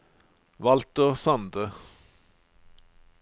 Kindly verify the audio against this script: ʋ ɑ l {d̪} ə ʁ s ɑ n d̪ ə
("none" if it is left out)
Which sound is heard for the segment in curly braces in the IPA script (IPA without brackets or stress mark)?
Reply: t̪